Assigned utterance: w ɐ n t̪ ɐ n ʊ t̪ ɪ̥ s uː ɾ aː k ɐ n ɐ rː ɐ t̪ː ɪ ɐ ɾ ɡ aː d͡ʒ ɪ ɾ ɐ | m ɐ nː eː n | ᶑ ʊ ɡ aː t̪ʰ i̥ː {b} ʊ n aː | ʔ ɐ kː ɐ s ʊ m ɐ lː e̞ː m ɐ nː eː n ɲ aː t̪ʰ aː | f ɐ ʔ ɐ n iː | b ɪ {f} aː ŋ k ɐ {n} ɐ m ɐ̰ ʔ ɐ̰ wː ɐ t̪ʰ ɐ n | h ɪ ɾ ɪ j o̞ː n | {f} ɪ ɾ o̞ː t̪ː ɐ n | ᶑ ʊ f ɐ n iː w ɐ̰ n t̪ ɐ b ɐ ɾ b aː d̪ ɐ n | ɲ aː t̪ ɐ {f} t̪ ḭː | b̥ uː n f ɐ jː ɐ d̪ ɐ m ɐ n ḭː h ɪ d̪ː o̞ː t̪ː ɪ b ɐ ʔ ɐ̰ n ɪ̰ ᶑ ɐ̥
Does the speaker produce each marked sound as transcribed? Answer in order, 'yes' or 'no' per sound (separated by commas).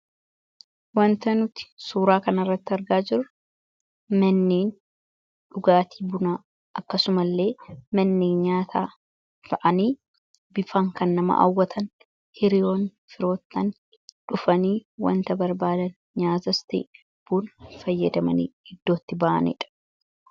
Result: yes, yes, no, yes, no